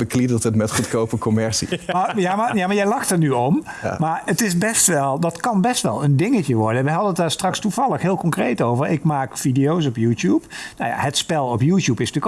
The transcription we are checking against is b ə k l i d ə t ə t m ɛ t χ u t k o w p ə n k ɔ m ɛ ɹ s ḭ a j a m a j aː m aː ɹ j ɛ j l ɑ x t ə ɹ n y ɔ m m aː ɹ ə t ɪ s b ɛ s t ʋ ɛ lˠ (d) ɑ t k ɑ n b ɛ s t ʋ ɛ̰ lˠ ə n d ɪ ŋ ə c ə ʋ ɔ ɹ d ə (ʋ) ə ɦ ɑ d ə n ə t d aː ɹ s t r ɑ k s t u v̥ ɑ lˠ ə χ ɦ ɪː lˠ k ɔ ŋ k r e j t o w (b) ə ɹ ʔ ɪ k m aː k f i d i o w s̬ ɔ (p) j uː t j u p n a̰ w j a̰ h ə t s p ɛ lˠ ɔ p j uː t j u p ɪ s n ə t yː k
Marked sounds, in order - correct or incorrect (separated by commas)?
correct, correct, incorrect, correct